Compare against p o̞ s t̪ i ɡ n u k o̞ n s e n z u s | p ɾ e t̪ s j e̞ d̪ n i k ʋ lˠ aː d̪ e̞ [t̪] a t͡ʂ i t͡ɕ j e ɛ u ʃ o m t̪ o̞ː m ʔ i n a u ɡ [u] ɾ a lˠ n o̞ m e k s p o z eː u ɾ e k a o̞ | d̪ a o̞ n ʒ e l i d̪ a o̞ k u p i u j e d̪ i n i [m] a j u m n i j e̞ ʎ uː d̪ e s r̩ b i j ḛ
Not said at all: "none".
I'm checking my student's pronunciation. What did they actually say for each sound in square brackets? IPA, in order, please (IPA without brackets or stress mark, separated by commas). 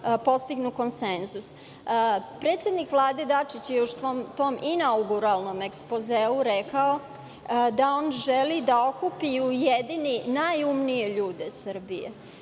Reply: d̪, u, n